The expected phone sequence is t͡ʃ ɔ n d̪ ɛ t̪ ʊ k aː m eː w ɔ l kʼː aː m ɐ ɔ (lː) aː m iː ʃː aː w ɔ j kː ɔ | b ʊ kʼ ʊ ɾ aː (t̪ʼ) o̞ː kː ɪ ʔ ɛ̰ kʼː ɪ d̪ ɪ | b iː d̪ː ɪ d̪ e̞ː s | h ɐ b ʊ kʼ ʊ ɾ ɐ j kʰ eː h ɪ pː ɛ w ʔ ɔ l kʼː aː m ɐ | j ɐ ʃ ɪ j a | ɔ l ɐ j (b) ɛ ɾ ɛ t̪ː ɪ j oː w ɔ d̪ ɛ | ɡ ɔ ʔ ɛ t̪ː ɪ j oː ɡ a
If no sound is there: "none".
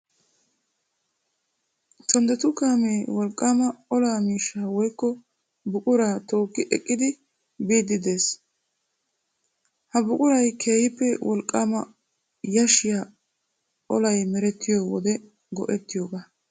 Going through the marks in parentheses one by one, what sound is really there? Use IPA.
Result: l, t̪, m

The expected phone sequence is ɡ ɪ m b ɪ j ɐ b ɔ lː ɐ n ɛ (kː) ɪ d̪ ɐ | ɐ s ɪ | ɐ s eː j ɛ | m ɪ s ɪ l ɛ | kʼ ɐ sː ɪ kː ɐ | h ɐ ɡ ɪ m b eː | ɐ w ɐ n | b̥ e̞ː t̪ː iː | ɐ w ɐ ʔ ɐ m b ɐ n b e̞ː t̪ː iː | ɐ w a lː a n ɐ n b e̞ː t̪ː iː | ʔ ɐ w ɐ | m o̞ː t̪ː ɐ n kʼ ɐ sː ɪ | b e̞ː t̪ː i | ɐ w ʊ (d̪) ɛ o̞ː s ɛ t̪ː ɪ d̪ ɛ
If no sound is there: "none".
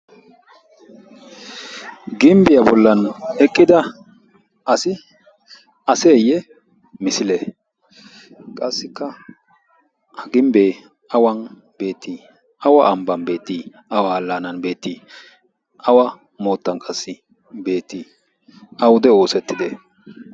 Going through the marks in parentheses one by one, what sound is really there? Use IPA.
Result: kʼː, d̪

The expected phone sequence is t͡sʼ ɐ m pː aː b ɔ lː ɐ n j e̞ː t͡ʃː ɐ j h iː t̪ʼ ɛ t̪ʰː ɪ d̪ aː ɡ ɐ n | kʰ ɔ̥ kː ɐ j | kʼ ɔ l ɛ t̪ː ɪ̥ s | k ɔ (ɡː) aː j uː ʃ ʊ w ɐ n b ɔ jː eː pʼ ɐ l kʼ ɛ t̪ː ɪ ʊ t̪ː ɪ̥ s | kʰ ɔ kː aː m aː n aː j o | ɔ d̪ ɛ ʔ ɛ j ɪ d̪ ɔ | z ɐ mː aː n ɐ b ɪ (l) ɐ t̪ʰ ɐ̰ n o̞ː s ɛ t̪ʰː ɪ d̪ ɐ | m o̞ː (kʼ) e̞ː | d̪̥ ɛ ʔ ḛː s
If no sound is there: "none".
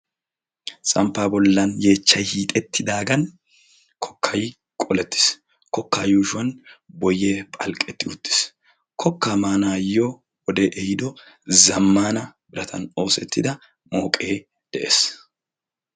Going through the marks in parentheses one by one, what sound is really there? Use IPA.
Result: kː, ɾ, kʼ

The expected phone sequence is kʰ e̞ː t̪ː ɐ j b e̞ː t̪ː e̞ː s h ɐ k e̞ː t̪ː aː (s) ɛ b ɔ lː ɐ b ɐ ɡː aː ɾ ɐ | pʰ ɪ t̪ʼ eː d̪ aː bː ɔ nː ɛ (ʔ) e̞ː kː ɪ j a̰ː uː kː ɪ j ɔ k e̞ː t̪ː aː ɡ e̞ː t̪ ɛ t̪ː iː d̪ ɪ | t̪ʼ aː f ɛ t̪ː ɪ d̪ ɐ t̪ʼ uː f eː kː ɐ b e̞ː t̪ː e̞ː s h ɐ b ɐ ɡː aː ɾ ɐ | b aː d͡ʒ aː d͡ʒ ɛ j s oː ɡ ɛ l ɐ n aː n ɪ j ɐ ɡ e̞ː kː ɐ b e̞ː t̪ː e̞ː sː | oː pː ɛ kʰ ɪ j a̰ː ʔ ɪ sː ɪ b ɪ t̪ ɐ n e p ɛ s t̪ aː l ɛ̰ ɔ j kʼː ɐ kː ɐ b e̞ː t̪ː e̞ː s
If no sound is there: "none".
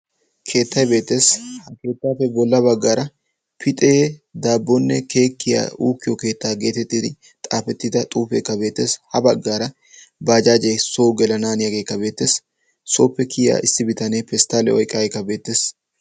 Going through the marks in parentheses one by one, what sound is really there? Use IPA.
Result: f, k

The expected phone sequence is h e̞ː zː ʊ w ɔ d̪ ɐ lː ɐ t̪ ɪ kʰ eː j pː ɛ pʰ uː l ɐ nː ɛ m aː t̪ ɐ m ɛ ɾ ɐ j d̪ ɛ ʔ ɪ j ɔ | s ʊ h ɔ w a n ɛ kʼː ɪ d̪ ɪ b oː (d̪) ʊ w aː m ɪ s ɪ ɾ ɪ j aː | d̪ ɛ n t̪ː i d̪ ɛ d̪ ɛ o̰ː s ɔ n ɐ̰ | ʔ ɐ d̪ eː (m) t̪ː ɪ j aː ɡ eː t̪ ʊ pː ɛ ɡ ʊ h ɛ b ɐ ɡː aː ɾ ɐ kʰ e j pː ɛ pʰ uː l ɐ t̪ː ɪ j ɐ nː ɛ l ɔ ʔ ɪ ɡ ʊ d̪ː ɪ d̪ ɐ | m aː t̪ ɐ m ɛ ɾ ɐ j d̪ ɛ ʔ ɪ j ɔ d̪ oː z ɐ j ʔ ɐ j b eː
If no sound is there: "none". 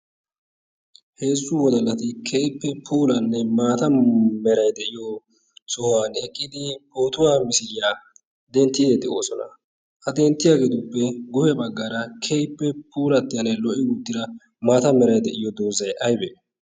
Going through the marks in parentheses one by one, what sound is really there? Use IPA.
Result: t̪, n

